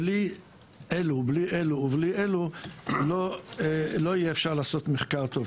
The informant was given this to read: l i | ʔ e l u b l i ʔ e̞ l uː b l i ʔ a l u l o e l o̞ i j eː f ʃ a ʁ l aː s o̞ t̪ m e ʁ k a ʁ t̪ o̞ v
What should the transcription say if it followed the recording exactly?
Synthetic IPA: l i | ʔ e l u b l i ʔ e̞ l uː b l i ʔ e l u l o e l o̞ i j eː f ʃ a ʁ l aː s o̞ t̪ m e χ k a ʁ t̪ o̞ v